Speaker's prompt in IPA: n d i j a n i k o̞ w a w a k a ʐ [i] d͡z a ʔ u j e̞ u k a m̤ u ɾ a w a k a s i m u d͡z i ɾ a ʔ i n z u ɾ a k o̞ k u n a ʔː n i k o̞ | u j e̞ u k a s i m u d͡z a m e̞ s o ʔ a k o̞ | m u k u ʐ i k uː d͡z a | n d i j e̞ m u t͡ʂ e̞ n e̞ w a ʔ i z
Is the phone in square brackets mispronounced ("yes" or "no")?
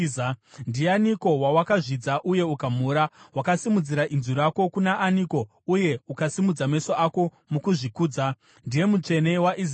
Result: no